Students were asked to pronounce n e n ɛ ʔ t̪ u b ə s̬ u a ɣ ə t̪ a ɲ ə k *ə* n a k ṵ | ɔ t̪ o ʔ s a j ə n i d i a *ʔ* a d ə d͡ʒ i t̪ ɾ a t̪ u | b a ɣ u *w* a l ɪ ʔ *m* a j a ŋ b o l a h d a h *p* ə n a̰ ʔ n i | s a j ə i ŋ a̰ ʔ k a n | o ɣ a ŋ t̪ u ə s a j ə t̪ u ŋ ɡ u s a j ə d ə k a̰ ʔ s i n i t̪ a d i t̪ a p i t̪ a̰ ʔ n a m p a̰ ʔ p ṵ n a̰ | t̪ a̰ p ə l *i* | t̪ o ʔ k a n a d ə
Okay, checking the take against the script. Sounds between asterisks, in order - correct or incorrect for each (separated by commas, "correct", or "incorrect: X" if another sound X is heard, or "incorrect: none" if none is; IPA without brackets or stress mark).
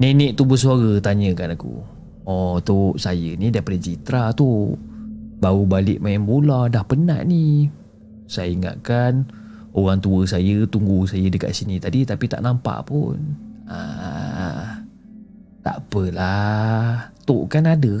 incorrect: a, incorrect: p, incorrect: b, correct, correct, incorrect: a